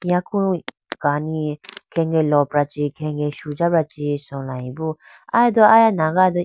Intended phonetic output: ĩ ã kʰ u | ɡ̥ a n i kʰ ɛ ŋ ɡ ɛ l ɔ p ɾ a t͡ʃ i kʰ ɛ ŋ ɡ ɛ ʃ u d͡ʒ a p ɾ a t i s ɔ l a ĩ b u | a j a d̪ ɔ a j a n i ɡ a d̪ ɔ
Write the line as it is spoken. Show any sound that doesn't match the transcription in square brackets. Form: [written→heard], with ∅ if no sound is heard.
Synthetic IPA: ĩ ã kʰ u | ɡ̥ a n i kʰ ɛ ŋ ɡ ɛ l ɔ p ɾ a t͡ʃ i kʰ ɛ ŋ ɡ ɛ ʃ u d͡ʒ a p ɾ a [t→t͡ʃ] i s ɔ l a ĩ b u | a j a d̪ ɔ a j a n [i→a] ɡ a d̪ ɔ

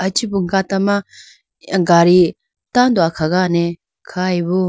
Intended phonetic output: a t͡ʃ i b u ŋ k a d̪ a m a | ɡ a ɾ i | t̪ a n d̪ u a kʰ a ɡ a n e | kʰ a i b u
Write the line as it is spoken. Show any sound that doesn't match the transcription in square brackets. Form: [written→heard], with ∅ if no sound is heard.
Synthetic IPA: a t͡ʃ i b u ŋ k a [d̪→t̪] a m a | ɡ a ɾ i | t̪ a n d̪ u a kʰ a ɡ a n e | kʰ a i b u

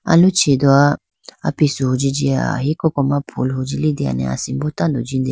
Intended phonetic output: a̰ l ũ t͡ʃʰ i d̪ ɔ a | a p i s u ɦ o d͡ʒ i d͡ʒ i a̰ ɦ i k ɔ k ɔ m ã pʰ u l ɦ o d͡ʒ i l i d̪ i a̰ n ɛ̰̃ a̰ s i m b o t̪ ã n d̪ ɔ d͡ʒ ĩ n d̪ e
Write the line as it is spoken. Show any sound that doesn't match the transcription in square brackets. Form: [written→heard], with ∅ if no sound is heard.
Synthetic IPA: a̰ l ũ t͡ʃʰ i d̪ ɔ a | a p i s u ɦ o d͡ʒ i d͡ʒ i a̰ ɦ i k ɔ k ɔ m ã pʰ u l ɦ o d͡ʒ i l i d̪ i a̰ n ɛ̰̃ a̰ s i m b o t̪ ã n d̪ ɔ d͡ʒ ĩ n d̪ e

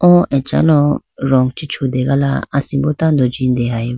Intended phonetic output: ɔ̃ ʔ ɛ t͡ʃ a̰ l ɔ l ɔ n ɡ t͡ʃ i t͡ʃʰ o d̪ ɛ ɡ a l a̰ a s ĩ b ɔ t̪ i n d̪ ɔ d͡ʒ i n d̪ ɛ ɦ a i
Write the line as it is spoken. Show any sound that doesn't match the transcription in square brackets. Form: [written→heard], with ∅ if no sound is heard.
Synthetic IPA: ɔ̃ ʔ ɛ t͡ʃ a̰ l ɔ [l→ɾ] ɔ [n→ŋ] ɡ t͡ʃ i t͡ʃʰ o d̪ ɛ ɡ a l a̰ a s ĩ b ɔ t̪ [i→a] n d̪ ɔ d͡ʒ i n d̪ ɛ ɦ a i

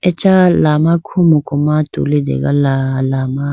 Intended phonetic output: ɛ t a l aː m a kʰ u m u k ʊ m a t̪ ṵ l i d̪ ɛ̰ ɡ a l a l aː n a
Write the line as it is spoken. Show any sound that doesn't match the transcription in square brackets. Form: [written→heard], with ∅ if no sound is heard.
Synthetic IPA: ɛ [t→t͡ʃ] a l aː m a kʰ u m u k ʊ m a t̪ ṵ l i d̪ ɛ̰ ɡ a l a l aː [n→m] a

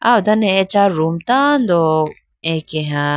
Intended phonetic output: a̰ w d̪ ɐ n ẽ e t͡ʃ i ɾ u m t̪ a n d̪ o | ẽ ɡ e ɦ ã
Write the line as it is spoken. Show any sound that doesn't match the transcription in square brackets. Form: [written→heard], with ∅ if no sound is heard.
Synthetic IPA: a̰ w d̪ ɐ n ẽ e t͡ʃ [i→a] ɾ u m t̪ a n d̪ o | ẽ [ɡ→k] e ɦ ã

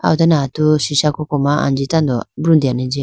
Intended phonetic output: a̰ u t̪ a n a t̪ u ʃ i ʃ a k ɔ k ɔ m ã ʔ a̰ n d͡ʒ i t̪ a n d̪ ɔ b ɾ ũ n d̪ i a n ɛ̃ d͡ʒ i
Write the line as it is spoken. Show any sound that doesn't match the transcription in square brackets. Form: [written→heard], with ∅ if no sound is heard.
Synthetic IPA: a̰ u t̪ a n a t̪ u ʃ i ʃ a k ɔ k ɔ m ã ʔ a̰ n d͡ʒ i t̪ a n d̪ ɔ b ɾ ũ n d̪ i a n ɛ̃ d͡ʒ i

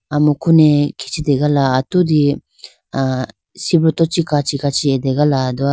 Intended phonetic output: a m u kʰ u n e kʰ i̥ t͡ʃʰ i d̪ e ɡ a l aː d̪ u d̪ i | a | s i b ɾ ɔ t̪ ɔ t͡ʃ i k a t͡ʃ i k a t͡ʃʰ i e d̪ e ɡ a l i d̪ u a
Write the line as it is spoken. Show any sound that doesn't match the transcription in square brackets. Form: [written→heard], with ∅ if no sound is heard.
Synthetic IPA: a m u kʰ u n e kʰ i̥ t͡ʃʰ i d̪ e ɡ a l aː [d̪→t̪] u d̪ i | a | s i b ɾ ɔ t̪ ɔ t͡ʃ i k a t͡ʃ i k a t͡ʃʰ i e d̪ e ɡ a l [i→a] d̪ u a

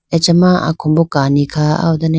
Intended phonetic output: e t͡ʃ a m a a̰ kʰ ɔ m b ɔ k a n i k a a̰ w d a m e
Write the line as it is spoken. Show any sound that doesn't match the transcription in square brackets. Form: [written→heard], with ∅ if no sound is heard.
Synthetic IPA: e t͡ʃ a m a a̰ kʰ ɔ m b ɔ k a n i [k→kʰ] a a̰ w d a [m→n] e

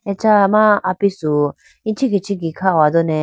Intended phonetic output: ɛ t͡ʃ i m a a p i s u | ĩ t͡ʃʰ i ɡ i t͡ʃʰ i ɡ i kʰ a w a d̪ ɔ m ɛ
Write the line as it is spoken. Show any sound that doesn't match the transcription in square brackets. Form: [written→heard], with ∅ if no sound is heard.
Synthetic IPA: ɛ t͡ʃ [i→a] m a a p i s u | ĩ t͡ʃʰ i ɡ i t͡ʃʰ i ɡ i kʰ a w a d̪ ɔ [m→n] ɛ

